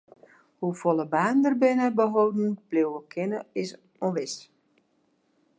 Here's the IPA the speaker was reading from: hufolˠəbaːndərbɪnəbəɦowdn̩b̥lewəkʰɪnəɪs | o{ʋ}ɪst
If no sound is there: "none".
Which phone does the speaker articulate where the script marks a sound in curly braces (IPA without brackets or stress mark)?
ʋ